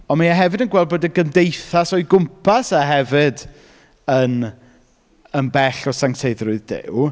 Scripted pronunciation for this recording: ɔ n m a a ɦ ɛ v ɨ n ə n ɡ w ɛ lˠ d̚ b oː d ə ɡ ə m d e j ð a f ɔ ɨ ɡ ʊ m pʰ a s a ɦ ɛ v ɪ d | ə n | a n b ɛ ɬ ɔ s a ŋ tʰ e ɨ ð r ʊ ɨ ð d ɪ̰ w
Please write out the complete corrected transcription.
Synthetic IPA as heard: ɔ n m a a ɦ ɛ v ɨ d ə n ɡ w ɛ lˠ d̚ b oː d ə ɡ ə m d e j θ a s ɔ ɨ ɡ ʊ m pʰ a s a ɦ ɛ v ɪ d | ə n | ə n b ɛ ɬ ɔ s a ŋ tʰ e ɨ ð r ʊ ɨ ð d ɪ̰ w

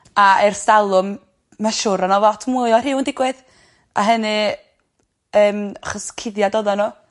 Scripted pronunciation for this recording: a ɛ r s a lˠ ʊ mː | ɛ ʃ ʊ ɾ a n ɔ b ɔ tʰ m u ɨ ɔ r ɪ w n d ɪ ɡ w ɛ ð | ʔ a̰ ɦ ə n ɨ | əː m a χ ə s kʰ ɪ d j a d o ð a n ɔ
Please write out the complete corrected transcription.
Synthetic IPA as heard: a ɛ r s a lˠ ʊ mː | a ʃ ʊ ɾ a n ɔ v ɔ tʰ m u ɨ ɔ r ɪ w n d ɪ ɡ w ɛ ð | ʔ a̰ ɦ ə n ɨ | əː m a χ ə s kʰ ɪ d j a d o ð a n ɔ

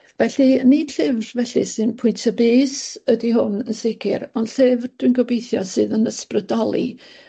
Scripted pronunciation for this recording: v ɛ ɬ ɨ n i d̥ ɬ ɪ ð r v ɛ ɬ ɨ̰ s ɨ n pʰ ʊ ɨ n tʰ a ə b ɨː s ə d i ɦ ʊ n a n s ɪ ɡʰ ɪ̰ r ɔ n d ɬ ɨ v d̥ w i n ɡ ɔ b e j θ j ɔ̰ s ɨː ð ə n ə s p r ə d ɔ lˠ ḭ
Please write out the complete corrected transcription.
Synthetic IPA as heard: v ɛ ɬ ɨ n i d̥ ɬ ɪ v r v ɛ ɬ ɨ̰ s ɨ n pʰ ʊ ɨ n tʰ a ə b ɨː s ə d i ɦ ʊ n ə n s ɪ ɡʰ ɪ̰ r ɔ n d ɬ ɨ v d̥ w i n ɡ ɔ b e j θ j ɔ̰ s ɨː ð ə n ə s p r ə d ɔ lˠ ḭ

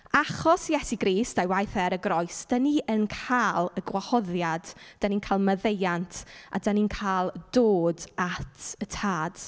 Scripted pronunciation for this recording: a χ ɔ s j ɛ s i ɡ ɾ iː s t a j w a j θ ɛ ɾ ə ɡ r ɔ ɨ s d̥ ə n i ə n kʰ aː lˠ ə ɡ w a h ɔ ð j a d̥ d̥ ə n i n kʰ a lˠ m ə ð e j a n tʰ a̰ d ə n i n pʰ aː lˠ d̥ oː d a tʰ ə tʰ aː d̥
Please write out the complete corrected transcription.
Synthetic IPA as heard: a χ ɔ s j ɛ s i ɡ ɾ iː s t a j w a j θ ɛ ɾ ə ɡ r ɔ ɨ s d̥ ə n i ə n kʰ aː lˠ ə ɡ w a h ɔ ð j a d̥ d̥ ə n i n kʰ a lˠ m ə ð e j a n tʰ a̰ d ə n i n kʰ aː lˠ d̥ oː d a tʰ ə tʰ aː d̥

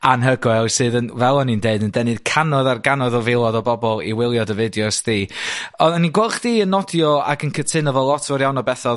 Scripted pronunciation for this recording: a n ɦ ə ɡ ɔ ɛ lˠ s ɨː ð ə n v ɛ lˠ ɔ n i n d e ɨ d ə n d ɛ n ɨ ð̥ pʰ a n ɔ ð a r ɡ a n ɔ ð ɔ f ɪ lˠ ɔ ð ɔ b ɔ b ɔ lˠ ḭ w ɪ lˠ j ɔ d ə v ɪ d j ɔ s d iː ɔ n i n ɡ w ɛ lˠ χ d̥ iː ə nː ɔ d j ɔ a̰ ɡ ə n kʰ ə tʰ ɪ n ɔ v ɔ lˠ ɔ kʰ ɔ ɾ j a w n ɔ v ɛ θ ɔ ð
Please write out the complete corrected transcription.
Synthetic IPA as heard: a n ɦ ə ɡ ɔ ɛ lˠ s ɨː ð ə n v ɛ lˠ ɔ n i n d e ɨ d ə n d ɛ n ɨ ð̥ kʰ a n ɔ ð a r ɡ a n ɔ ð ɔ v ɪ lˠ ɔ ð ɔ b ɔ b ɔ lˠ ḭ w ɪ lˠ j ɔ d ə v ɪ d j ɔ s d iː ɔ n i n ɡ w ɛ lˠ χ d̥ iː ə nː ɔ d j ɔ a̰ ɡ ə n kʰ ə tʰ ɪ n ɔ v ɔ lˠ ɔ tʰ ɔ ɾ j a w n ɔ b ɛ θ ɔ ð

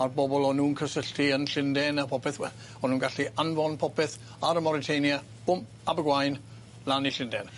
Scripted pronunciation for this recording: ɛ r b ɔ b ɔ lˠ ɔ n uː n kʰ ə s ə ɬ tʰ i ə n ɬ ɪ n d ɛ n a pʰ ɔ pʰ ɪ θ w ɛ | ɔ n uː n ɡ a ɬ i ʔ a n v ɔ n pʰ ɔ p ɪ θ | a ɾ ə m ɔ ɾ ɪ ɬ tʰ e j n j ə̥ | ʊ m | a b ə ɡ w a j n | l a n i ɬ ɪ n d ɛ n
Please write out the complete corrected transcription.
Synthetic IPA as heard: a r b ɔ b ɔ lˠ ɔ n uː n kʰ ə s ə ɬ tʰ i ə n ɬ ɪ n d ɛ n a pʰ ɔ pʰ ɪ θ w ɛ | ɔ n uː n ɡ a ɬ i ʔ a n v ɔ n pʰ ɔ p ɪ θ | a ɾ ə m ɔ ɾ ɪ tʰ e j n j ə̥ | ʊ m | a b ə ɡ w a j n | l a n i ɬ ɪ n d ɛ n

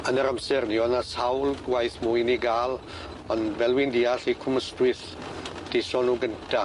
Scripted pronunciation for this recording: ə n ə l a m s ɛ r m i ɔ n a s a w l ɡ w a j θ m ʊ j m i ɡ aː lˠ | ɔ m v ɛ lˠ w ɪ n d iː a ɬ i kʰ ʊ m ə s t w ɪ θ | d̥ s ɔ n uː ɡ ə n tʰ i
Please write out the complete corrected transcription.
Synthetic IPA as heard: ə n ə ɾ a m s ɛ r n i ɔ n a s a w l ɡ w a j θ m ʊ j n i ɡ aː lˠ | ɔ n v ɛ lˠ w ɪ n d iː a ɬ i kʰ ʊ m ə s t w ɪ θ | d̥ s ɔ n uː ɡ ə n tʰ a

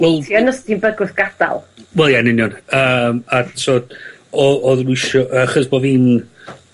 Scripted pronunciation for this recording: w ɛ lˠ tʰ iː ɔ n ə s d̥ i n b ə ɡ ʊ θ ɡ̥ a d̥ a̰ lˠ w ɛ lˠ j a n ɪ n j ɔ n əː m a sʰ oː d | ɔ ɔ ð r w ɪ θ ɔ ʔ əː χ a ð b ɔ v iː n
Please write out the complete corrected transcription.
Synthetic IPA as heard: w ɛ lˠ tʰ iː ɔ n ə s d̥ i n b ə ɡ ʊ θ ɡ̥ a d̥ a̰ lˠ w ɛ lˠ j a n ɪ n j ɔ n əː m a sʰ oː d | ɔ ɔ ð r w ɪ ʃ ɔ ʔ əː χ ə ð b ɔ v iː n

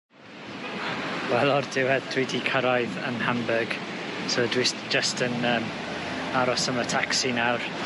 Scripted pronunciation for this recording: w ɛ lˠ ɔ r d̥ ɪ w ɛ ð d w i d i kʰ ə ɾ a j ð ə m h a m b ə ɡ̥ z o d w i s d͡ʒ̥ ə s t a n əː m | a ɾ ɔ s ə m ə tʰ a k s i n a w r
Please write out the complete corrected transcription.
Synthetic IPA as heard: w ɛ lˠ ɔ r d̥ ɪ w ɛ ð d w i d i kʰ ə ɾ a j ð ə n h a m b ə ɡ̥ s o d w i s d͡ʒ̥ ə s t ə n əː m | a ɾ ɔ s ə m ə tʰ a k s i n a w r

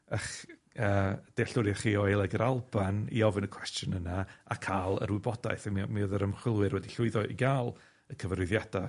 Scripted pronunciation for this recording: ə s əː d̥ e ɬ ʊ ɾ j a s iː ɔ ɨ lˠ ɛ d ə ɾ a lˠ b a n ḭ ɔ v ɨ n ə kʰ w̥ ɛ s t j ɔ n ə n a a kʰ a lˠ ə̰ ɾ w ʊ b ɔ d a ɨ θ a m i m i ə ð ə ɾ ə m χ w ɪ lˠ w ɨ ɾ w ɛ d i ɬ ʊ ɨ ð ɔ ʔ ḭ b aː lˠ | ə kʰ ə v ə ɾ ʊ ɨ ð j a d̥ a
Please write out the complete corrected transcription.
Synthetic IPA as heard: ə χ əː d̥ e ɬ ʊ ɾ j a χ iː ɔ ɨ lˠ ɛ ɡ ə ɾ a lˠ b a n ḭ ɔ v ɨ n ə kʰ w̥ ɛ s t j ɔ n ə n a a kʰ a lˠ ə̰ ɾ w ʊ b ɔ d a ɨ θ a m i m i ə ð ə ɾ ə m χ w ɪ lˠ w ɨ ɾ w ɛ d i ɬ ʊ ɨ ð ɔ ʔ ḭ ɡ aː lˠ | ə kʰ ə v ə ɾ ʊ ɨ ð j a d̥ a

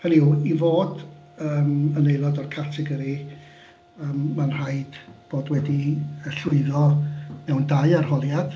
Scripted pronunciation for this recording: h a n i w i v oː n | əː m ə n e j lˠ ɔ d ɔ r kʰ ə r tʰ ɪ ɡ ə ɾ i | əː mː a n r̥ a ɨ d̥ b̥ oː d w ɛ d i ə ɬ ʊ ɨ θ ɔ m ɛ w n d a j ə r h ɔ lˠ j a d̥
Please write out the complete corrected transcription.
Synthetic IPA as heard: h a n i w i v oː d | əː m ə n e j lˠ ɔ d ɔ r kʰ a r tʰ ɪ ɡ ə ɾ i | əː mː a n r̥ a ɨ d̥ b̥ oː d w ɛ d i ə ɬ ʊ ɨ ð ɔ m ɛ w n d a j a r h ɔ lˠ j a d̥

